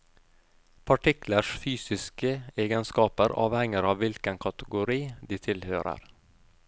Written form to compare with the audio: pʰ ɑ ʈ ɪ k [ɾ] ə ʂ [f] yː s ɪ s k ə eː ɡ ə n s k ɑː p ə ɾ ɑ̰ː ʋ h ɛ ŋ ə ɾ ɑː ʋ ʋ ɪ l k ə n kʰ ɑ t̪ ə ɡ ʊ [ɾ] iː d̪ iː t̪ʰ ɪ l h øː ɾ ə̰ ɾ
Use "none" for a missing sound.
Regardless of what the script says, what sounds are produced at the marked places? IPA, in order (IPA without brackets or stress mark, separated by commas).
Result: l, f, ɾ